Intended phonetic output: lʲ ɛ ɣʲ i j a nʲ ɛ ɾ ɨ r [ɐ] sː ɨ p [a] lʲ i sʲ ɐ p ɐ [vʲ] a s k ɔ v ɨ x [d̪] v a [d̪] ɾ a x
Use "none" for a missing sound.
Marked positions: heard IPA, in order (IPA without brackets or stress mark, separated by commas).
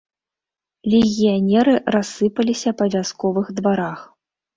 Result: a, ɐ, vʲ, d̪, none